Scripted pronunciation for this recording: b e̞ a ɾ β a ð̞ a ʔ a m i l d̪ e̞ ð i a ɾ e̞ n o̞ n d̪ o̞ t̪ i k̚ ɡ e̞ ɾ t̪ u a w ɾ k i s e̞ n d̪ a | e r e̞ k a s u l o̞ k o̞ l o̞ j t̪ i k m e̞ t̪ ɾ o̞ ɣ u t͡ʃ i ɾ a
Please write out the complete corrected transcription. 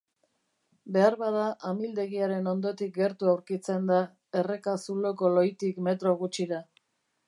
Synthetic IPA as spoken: b e̞ a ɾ β a ð̞ a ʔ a m i l d̪ e̞ ɣ i a ɾ e̞ n o̞ n d̪ o̞ t̪ i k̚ ɡ e̞ ɾ t̪ u a w ɾ k i t͡s e̞ n d̪ a | e r e̞ k a s u l o̞ k o̞ l o̞ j t̪ i k m e̞ t̪ ɾ o̞ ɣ u t͡ʃ i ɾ a